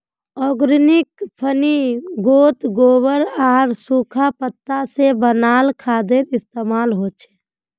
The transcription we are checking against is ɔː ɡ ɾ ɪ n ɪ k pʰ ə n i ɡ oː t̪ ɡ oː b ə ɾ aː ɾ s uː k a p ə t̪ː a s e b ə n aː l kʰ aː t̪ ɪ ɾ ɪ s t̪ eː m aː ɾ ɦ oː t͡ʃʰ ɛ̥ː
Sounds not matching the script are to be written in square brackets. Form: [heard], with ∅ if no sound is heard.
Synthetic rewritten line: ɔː ɡ ɾ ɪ n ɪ k pʰ ə n i ɡ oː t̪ ɡ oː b ə ɾ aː ɾ s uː [kʰ] a p ə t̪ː a s e b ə n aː l kʰ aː [d̪] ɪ ɾ ɪ s t̪ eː m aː [l] ɦ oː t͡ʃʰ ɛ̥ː